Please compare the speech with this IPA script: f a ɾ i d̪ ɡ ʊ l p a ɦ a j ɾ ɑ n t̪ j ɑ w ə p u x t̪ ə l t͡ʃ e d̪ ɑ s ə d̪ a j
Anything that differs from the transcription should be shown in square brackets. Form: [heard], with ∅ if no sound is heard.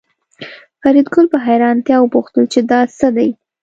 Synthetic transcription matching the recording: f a ɾ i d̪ ɡ ʊ l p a ɦ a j ɾ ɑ n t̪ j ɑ w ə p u x t̪ ə l t͡ʃ e d̪ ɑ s ə d̪ a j

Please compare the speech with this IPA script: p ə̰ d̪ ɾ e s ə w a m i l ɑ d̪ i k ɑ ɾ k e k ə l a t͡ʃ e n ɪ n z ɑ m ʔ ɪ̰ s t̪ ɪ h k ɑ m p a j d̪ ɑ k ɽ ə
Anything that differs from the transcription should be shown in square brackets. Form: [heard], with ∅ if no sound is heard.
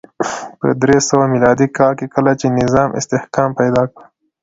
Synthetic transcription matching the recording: p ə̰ d̪ ɾ e s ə w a m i l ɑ d̪ i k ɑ [l] k e k ə l a t͡ʃ e n ɪ [∅] z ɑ m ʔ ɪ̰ s t̪ ɪ h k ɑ m p a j d̪ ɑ k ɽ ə

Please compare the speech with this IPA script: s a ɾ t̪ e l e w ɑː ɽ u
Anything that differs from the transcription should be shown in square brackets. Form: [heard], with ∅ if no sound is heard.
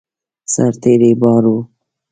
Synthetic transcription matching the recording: s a ɾ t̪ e [ɾ] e [b] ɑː [ɾ] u

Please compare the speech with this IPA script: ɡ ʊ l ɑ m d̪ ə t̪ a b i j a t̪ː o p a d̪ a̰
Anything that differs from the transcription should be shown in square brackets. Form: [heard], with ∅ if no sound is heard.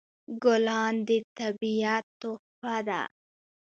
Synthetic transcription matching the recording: ɡ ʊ l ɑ [n] d̪ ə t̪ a b i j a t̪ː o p a d̪ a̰

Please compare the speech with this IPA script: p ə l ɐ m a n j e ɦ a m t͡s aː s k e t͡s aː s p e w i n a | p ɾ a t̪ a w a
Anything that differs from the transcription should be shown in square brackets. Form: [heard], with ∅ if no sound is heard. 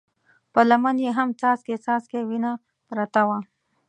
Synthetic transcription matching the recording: p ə l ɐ m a n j e ɦ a m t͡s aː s k e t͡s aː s [k] e w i n a | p ɾ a t̪ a w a

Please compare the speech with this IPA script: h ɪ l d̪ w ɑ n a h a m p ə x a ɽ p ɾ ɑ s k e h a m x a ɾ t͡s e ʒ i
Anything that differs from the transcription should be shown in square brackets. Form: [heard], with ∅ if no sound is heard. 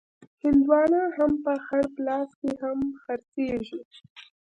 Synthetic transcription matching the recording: h ɪ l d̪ w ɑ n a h a m p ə x a ɽ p [l] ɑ s k e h a m x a ɾ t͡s e ʒ i

